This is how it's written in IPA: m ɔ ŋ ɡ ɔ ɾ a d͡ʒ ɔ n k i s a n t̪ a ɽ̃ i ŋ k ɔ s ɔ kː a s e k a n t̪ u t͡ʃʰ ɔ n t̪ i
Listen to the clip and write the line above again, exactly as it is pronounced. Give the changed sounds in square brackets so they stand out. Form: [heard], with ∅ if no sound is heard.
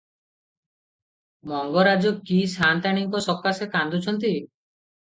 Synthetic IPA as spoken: m ɔ ŋ ɡ ɔ ɾ a d͡ʒ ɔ [∅] k i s a n t̪ a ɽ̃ i ŋ k ɔ s ɔ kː a s e k a n [d̪] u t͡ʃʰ ɔ n t̪ i